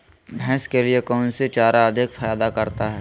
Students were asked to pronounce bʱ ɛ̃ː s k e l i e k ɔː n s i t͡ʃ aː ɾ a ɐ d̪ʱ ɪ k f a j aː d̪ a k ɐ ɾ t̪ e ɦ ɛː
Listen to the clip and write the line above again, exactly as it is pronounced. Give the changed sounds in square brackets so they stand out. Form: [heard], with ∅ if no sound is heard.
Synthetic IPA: bʱ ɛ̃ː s k e l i e k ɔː n s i t͡ʃ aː ɾ a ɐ d̪ʱ ɪ k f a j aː d̪ a k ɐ ɾ t̪ [a] ɦ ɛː